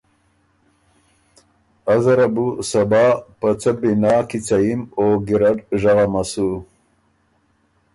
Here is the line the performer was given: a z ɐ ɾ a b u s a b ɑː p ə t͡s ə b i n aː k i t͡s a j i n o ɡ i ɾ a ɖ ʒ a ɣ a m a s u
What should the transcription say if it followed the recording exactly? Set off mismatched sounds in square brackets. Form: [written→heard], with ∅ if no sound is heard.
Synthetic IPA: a z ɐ ɾ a b u s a b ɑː p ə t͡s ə b i n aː k i t͡s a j i [n→m] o ɡ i ɾ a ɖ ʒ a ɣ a m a s u